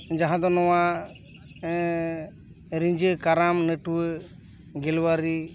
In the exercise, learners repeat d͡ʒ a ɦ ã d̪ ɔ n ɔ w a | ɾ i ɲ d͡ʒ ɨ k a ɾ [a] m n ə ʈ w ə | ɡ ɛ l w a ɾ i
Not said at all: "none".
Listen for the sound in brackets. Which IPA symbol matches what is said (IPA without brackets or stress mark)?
a